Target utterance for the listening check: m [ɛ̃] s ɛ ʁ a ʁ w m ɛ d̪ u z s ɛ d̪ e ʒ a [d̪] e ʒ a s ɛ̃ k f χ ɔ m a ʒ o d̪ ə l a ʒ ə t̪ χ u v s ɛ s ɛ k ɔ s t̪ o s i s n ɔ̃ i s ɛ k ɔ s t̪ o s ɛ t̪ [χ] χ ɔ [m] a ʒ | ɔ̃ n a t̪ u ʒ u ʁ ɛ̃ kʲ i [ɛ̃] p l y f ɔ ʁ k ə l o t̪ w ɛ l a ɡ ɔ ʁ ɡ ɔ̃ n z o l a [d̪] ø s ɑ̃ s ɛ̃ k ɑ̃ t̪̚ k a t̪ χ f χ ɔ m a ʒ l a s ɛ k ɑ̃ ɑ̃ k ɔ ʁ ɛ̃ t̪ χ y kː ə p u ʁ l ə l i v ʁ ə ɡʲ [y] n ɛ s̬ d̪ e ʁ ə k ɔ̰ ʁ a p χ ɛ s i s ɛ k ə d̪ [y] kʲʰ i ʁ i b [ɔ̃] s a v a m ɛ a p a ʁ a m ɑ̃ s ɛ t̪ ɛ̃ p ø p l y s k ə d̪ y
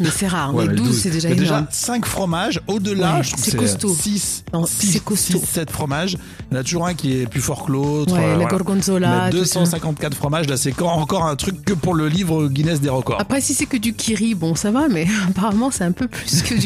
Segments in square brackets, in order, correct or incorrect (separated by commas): incorrect, correct, incorrect, correct, incorrect, correct, incorrect, correct, correct